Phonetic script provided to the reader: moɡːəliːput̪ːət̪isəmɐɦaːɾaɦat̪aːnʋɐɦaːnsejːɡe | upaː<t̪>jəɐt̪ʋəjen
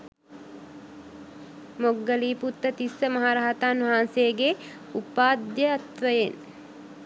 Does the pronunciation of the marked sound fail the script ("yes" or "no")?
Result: yes